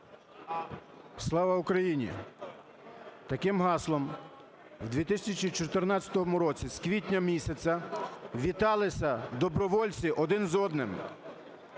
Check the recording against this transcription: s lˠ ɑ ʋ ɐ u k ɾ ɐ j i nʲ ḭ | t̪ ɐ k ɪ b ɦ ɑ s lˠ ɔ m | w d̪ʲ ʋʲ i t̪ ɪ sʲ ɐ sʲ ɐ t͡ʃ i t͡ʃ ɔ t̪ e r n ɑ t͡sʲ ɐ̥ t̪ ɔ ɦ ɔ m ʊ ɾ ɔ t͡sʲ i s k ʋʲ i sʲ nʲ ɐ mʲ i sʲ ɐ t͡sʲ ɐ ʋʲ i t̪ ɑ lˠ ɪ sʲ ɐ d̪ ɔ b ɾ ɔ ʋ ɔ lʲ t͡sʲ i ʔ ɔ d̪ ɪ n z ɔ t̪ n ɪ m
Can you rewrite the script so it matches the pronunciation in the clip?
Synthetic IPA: s lˠ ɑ ʋ ɐ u k ɾ ɐ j i nʲ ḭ | t̪ ɐ k ɪ m ɦ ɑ s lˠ ɔ m | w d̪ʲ ʋʲ i t̪ ɪ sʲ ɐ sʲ ɐ t͡ʃ i t͡ʃ ɔ t̪ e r n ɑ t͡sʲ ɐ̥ t̪ ɔ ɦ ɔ m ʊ ɾ ɔ t͡sʲ i s k ʋʲ i tʲ nʲ ɐ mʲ i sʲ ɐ t͡sʲ ɐ ʋʲ i t̪ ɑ lˠ ɪ sʲ ɐ d̪ ɔ b ɾ ɔ ʋ ɔ lʲ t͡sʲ i ʔ ɔ d̪ ɪ n z ɔ d̪ n ɪ m